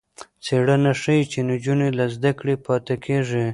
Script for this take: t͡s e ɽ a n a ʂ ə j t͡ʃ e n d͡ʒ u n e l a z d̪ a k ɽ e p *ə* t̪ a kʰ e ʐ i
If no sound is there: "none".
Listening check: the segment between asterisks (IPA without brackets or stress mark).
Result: ɑ